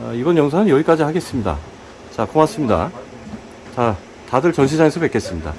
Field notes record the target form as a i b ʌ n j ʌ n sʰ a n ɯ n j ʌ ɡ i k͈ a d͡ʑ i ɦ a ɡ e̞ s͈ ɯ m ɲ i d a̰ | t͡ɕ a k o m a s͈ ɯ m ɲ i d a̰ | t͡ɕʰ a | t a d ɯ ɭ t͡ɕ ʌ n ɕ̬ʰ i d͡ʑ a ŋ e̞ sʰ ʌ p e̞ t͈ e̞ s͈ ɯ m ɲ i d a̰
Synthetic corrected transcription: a i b ʌ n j ʌ ŋ sʰ a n ɯ n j ʌ ɡ i k͈ a d͡ʑ i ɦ a ɡ e̞ s͈ ɯ m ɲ i d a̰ | t͡ɕ a k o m a s͈ ɯ m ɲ i d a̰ | t͡ɕ a | t a d ɯ ɭ t͡ɕ ʌ n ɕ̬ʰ i d͡ʑ a ŋ e̞ sʰ ʌ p e̞ k͈ e̞ s͈ ɯ m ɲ i d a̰